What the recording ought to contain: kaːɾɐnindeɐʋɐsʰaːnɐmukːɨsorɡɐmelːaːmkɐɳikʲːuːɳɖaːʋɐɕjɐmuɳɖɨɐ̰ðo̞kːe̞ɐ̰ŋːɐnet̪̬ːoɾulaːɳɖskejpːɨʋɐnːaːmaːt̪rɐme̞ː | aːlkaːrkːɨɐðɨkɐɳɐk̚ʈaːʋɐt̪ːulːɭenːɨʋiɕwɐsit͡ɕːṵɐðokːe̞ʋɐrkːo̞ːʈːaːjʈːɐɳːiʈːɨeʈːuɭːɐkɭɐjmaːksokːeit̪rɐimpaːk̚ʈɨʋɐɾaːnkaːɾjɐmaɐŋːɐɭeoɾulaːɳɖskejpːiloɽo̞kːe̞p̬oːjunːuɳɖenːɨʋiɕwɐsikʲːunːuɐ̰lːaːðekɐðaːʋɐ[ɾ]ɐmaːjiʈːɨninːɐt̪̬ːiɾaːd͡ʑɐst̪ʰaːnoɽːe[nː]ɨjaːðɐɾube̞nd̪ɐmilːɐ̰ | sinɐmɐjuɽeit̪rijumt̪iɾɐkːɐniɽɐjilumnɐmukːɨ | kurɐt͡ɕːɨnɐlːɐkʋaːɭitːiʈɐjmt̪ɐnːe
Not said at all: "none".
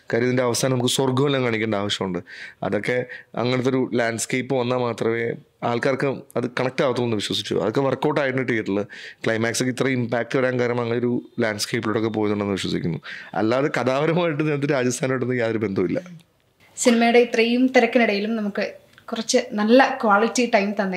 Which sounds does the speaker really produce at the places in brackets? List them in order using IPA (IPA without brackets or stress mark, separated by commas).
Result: ɾ, nː